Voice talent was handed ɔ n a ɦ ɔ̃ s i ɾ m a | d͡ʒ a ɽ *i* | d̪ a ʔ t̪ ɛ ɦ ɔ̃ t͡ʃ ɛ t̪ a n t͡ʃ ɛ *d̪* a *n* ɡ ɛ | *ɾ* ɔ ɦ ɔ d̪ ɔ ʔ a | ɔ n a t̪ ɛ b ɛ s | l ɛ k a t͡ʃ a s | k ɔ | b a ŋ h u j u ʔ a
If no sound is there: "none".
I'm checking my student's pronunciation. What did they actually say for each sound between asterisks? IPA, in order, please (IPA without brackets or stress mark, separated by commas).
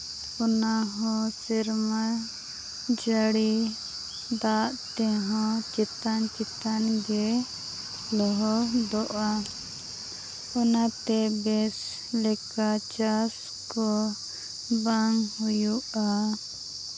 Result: i, t̪, n, l